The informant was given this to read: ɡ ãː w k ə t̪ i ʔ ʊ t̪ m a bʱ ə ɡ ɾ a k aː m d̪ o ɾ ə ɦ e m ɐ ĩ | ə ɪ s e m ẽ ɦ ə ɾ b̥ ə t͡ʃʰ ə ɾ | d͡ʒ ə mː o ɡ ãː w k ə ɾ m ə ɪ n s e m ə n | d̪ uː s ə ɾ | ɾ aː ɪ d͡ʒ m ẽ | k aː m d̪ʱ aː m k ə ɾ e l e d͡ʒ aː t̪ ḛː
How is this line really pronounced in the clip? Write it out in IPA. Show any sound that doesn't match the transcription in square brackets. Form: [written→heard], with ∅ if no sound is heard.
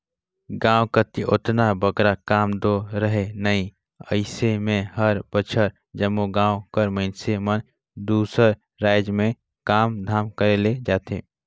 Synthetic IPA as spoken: ɡ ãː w k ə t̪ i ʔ ʊ t̪ [m→n] a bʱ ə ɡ ɾ a k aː m d̪ o ɾ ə ɦ e [m→n] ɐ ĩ | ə ɪ s e m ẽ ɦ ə ɾ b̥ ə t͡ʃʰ ə ɾ | d͡ʒ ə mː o ɡ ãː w k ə ɾ m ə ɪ n s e m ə n | d̪ uː s ə ɾ | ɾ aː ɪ d͡ʒ m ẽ | k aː m d̪ʱ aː m k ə ɾ e l e d͡ʒ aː t̪ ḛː